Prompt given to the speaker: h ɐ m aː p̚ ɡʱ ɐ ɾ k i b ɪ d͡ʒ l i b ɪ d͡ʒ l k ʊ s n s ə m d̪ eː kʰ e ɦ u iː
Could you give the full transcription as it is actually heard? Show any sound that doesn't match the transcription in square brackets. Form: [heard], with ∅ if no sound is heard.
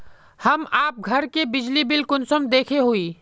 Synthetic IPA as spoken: h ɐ m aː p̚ ɡʱ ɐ ɾ k [e] b ɪ d͡ʒ l i b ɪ [∅] l k ʊ [∅] n s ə m d̪ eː kʰ e ɦ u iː

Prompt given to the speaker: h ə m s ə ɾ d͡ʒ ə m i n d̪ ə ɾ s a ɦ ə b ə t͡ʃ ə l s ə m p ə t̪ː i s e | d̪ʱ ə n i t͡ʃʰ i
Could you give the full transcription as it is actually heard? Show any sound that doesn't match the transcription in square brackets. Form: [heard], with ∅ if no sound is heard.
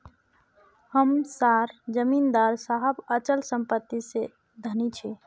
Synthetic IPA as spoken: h ə m s [a] ɾ d͡ʒ ə m i n d̪ [a] ɾ s a ɦ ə b ə t͡ʃ ə l s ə m p ə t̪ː i s e | d̪ʱ ə n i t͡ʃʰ i

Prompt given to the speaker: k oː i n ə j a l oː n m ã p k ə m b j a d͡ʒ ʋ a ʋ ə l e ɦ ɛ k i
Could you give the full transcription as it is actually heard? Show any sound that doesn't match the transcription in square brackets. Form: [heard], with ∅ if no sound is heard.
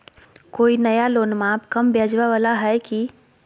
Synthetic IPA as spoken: k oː i n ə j a l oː n m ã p k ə m b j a d͡ʒ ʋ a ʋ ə l [a] ɦ ɛ k i

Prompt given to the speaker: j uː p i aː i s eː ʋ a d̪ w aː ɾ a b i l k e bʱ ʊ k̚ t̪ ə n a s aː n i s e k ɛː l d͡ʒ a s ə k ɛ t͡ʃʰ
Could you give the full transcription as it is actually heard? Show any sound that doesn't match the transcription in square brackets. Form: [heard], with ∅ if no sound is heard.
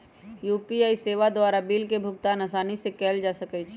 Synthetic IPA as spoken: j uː p i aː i s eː ʋ a d̪ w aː ɾ a b i l k e bʱ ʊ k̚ t̪ [a] n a s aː n i s e k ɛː l d͡ʒ a s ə k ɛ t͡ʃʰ

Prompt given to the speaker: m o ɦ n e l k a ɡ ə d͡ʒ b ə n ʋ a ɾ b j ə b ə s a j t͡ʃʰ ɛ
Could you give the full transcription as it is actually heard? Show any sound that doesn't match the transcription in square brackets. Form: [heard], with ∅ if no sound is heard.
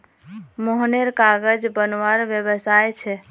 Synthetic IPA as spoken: m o ɦ n e [ɾ] k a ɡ ə d͡ʒ b ə n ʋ a ɾ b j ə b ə s a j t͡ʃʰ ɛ

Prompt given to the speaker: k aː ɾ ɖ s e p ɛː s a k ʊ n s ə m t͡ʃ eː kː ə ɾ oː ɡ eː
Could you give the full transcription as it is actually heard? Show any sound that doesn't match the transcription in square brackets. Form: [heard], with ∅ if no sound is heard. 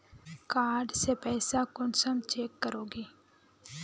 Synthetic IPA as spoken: k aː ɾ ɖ s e p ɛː s a k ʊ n s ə m t͡ʃ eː kː ə ɾ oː ɡ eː

